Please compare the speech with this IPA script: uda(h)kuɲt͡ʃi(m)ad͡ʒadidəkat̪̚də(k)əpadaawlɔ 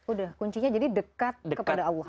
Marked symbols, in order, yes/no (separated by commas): yes, no, yes